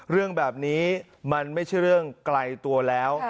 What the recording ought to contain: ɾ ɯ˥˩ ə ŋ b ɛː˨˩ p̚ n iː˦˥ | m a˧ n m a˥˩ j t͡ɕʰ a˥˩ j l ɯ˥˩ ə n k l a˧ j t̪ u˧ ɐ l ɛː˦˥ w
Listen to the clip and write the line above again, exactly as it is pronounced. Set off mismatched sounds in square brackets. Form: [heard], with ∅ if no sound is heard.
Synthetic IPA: ɾ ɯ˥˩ ə ŋ b ɛː˨˩ p̚ n iː˦˥ | m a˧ n m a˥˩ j t͡ɕʰ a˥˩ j [ɾ] ɯ˥˩ ə [ŋ] k l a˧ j t̪ u˧ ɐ l ɛː˦˥ w